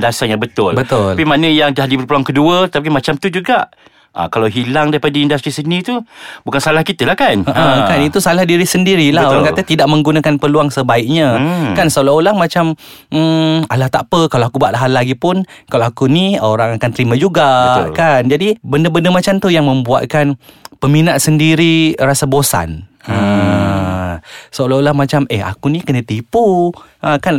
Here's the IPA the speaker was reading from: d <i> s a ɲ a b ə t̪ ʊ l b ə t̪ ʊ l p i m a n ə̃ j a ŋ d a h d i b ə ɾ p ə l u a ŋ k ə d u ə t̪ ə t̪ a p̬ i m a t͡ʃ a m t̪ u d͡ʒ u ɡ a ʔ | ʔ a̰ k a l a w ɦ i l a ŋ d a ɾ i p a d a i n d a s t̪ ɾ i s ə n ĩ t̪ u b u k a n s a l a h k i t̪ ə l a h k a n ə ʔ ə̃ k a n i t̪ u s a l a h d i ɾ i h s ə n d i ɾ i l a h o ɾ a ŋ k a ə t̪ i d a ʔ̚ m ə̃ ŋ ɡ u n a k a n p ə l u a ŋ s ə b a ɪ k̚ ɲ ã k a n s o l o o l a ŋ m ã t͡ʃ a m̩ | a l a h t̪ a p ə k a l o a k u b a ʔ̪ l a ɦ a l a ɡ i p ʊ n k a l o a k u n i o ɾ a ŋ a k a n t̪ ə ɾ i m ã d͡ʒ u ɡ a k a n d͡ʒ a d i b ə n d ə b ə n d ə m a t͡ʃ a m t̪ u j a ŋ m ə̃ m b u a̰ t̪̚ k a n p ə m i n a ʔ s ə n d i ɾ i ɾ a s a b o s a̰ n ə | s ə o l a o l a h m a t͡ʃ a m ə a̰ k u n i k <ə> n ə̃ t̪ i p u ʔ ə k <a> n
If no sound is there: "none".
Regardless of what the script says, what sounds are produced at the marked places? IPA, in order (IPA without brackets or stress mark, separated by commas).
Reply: a, ə, a